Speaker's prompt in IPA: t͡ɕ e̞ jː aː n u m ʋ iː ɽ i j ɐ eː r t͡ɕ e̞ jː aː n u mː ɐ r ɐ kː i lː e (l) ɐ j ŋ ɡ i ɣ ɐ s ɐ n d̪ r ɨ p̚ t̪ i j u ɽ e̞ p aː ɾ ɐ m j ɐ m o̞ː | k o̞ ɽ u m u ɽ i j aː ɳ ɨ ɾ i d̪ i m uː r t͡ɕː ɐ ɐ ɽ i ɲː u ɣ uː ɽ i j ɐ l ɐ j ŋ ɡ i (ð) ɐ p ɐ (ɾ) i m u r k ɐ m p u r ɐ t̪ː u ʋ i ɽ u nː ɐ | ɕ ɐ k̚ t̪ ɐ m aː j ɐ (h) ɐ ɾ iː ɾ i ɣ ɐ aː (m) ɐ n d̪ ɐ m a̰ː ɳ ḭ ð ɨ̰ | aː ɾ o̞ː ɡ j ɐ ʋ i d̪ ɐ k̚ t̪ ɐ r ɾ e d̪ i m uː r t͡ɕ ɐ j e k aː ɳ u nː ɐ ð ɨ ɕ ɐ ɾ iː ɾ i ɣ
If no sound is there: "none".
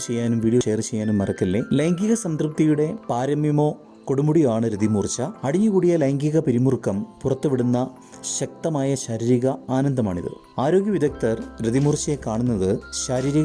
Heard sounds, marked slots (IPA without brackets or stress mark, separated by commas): l, ɣ, ɾ, ɕ, n